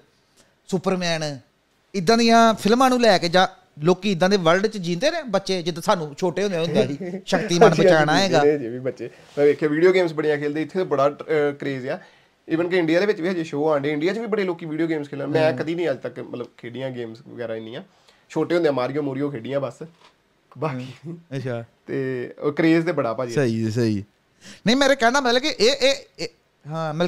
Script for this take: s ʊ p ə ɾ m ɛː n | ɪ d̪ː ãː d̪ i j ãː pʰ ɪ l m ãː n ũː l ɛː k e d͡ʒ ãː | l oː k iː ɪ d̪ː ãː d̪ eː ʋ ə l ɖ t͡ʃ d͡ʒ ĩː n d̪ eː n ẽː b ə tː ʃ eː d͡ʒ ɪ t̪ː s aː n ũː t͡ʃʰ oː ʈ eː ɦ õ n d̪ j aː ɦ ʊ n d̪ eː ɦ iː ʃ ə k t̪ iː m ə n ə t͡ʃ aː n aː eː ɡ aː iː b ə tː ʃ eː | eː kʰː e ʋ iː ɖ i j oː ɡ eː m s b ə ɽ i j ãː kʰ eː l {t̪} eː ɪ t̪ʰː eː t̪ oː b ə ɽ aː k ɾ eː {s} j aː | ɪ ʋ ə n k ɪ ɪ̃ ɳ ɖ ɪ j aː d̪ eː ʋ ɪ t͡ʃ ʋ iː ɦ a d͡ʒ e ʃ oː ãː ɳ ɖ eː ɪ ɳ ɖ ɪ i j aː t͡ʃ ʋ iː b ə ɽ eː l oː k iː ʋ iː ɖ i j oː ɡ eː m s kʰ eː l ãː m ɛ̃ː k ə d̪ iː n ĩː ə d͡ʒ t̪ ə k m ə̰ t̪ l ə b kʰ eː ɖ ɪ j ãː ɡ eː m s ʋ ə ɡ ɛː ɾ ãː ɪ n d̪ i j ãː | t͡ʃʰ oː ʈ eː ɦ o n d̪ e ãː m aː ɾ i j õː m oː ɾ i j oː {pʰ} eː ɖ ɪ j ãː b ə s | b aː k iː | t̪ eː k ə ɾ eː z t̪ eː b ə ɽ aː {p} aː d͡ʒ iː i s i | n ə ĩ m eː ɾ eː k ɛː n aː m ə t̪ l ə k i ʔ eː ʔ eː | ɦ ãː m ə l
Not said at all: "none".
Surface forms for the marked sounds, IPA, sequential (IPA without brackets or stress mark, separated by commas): d̪, z, kʰ, p